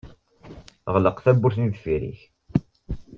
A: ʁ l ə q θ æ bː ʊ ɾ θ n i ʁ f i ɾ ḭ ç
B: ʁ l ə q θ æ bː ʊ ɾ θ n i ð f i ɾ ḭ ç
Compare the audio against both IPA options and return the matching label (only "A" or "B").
B